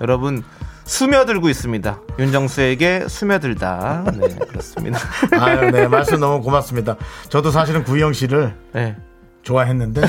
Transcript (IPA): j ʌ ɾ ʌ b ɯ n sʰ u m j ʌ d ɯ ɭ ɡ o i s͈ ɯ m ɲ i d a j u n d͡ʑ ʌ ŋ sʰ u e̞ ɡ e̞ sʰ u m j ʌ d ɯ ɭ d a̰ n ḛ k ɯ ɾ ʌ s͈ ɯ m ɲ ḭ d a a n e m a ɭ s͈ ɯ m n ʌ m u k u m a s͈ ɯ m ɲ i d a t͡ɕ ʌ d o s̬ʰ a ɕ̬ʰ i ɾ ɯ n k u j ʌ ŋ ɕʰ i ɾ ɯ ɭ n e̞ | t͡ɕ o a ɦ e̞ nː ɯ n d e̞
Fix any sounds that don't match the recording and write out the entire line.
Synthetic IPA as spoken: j ʌ ɾ ʌ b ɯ n sʰ u m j ʌ d ɯ ɭ ɡ o i s͈ ɯ m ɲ i d a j u n d͡ʑ ʌ ŋ sʰ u e̞ ɡ e̞ sʰ u m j ʌ d ɯ ɭ d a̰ n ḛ k ɯ ɾ ʌ s͈ ɯ m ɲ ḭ d a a n e m a ɭ s͈ ɯ m n ʌ m u k o m a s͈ ɯ m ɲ i d a t͡ɕ ʌ d o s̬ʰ a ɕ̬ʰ i ɾ ɯ n k u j ʌ ŋ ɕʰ i ɾ ɯ ɭ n e̞ | t͡ɕ o a ɦ e̞ nː ɯ n d e̞